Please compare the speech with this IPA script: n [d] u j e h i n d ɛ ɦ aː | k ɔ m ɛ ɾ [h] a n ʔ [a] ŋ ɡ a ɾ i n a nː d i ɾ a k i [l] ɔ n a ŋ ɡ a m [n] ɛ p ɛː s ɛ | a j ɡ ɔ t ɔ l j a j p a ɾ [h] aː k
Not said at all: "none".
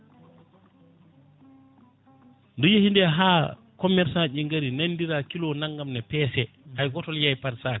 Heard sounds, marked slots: d, s, i, l, n, s

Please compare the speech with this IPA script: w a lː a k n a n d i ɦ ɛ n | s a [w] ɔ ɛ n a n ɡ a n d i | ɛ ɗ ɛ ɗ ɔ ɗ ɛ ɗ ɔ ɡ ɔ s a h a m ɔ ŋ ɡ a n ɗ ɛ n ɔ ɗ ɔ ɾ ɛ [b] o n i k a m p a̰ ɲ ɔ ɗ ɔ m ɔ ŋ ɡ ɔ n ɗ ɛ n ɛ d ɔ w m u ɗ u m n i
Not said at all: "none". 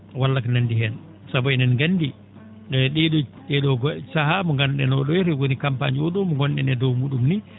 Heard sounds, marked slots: b, w

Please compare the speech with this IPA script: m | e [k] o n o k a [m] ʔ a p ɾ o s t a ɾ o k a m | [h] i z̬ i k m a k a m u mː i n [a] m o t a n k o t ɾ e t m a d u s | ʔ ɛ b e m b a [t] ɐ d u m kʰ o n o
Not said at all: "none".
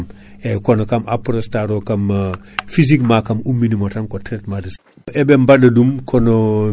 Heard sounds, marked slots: k, m, f, i, d

